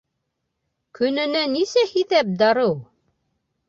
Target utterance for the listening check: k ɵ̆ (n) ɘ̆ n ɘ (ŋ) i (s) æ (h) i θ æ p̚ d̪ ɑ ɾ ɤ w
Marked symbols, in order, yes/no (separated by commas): yes, no, yes, yes